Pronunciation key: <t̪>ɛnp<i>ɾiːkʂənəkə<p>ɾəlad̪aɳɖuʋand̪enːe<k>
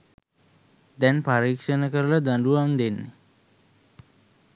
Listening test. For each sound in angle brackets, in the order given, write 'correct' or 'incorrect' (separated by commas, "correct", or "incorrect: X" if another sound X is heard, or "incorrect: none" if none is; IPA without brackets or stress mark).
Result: incorrect: d̪, incorrect: a, incorrect: none, incorrect: none